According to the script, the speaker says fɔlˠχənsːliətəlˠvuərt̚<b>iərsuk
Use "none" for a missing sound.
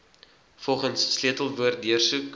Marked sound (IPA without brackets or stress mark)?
d